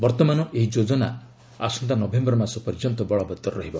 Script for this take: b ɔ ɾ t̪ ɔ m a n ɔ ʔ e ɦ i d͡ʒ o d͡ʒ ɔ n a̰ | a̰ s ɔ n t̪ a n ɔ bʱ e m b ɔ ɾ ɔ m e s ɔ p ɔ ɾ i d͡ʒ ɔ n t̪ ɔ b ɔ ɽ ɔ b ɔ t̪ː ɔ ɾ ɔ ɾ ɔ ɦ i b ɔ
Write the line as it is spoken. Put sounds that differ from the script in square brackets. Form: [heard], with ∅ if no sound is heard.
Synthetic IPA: b ɔ ɾ t̪ ɔ m a n ɔ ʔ e ɦ i d͡ʒ o d͡ʒ ɔ n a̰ | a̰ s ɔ n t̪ a n ɔ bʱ e m b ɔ ɾ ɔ m [a] s ɔ p ɔ ɾ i d͡ʒ ɔ n t̪ ɔ b ɔ [ɭ] ɔ b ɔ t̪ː ɔ ɾ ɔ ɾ ɔ ɦ i b ɔ